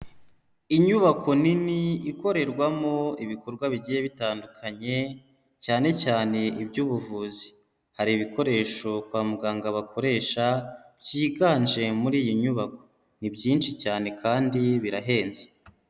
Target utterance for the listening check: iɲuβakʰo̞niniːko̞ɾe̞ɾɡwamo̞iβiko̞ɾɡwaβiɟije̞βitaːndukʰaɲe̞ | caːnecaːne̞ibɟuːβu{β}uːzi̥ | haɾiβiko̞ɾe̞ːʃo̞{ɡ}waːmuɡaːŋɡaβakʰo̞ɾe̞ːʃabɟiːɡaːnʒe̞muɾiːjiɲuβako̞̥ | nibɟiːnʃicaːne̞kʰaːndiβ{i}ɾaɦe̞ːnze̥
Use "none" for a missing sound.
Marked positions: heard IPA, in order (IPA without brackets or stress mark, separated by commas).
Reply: v, k, i